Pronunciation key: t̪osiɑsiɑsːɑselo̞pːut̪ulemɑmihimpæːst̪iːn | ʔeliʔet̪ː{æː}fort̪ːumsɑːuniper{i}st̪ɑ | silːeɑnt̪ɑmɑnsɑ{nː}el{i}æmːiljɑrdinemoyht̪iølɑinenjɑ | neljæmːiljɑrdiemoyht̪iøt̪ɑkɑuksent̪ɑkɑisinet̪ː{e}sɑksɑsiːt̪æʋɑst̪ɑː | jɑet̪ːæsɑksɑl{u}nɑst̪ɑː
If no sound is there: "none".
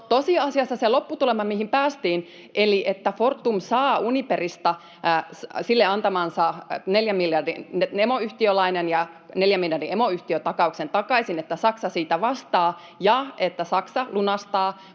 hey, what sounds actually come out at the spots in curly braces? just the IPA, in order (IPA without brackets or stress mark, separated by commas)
æ, i, n, j, æ, u